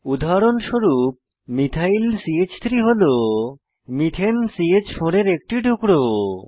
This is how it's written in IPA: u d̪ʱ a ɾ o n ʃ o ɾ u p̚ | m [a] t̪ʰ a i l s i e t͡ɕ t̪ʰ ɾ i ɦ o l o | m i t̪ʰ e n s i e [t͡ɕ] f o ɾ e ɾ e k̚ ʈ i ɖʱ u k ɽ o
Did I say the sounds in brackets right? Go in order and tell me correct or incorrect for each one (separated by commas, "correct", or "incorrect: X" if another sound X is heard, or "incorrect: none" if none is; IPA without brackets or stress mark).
incorrect: i, correct